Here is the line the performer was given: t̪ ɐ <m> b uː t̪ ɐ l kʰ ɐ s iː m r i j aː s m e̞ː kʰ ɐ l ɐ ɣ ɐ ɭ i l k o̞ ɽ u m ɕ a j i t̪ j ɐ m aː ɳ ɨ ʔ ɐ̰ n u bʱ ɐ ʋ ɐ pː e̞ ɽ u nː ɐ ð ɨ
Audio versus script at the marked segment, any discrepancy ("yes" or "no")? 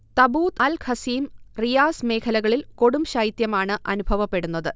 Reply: yes